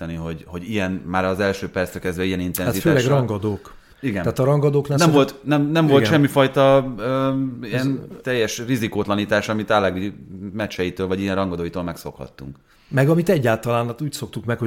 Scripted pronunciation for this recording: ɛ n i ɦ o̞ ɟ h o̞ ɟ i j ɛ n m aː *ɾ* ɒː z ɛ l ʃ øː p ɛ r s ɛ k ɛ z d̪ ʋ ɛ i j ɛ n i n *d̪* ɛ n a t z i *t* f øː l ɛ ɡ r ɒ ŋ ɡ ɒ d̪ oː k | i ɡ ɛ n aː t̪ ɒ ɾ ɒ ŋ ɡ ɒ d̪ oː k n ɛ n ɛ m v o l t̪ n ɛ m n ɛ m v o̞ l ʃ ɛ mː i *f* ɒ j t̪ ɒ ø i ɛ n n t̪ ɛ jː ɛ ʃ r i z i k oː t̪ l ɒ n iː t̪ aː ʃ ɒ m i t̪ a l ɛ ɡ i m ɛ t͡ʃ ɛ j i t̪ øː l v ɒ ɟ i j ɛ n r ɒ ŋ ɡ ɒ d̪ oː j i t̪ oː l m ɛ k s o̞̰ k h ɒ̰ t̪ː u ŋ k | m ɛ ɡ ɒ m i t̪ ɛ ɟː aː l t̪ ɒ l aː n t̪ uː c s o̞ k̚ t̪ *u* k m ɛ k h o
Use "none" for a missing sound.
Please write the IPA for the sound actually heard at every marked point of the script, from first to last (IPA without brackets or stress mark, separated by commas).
ɾ, t̪, t, f, u